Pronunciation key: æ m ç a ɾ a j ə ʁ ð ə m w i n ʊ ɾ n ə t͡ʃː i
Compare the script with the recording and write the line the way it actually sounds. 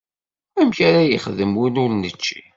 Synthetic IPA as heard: æ m ç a ɾ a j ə χ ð ə m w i n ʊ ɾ n ə t͡ʃː i

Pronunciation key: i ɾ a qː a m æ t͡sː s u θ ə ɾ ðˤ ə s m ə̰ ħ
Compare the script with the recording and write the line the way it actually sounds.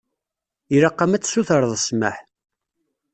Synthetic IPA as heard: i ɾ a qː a m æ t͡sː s u θ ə ɾ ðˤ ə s m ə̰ ħ

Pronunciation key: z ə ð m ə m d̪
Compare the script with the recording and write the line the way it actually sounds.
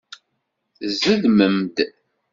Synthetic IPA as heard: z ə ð m ə m d̪

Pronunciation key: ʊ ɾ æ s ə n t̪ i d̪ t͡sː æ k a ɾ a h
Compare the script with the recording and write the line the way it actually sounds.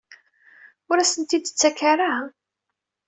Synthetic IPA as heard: ʊ ɾ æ s ə n t̪ i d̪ t͡sː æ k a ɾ a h

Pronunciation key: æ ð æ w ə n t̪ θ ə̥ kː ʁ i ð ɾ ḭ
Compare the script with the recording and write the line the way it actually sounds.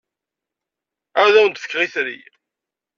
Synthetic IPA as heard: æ ð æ w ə n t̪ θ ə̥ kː ʁ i θ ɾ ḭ

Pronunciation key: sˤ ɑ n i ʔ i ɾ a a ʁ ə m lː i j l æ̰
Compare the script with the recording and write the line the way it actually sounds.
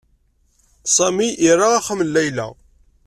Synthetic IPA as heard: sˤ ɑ m i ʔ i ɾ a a χ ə m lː æ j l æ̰

